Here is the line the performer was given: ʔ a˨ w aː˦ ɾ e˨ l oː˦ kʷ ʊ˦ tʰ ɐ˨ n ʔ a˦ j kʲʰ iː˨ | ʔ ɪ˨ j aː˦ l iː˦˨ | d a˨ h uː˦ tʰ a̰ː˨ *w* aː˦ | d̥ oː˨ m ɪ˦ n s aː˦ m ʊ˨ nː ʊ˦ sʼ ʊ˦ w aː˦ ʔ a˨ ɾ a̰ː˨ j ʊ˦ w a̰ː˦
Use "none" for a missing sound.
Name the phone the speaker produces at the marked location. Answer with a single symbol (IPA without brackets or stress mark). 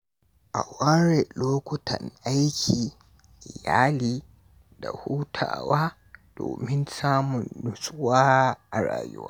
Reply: w